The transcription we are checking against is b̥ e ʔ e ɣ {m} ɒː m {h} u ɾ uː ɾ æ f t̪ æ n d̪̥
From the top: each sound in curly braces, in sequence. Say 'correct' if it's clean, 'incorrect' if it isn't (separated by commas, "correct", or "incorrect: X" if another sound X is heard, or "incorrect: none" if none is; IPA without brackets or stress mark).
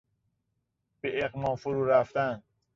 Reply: correct, incorrect: f